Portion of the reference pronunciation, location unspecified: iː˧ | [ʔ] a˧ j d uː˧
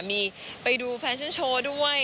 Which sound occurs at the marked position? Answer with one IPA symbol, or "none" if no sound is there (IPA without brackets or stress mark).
p